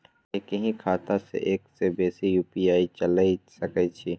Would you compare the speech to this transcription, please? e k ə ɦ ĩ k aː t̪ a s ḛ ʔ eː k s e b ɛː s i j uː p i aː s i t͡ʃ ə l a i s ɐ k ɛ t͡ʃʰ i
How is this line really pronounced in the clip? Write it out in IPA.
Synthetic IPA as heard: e k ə ɦ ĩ kʰ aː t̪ a s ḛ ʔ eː k s e b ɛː s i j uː p i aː i t͡ʃ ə l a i s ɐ k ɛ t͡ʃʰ i